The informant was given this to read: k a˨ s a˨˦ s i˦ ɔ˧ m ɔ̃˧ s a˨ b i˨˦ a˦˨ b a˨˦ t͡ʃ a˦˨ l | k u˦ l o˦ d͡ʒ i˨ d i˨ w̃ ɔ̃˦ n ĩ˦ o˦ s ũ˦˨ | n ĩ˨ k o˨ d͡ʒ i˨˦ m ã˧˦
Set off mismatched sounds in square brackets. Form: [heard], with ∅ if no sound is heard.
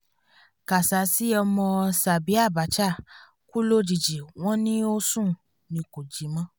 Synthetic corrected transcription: k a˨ s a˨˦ s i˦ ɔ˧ m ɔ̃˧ s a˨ b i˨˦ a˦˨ b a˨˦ t͡ʃ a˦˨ [∅] | k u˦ l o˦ d͡ʒ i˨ [d͡ʒ] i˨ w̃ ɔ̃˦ n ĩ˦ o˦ s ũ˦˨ | n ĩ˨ k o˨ d͡ʒ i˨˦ m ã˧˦